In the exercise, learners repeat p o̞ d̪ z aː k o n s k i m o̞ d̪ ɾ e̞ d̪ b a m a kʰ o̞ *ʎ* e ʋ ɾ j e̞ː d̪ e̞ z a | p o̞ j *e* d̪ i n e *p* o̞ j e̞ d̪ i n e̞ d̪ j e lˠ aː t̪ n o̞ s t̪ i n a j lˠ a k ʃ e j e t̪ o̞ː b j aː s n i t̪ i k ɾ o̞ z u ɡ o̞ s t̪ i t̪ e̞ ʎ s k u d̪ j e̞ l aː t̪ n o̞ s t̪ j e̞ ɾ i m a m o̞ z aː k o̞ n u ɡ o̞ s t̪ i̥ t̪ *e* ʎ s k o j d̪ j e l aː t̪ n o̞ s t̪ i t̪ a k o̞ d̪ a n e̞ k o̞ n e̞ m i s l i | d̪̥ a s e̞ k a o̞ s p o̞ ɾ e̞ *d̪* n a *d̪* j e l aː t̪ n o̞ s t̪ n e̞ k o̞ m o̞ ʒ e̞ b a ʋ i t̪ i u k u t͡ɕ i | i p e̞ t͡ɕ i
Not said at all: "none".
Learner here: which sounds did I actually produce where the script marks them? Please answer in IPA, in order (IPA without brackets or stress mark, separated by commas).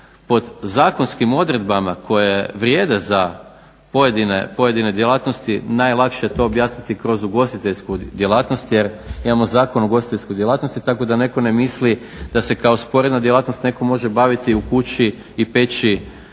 j, e, p, e, d̪, d̪